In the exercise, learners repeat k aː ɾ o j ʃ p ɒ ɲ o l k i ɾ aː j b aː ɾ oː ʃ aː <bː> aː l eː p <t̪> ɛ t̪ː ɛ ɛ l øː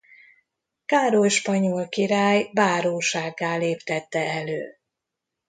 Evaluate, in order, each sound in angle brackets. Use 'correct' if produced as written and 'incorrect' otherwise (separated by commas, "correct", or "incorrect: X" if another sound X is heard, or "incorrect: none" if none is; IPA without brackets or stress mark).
incorrect: ɡː, correct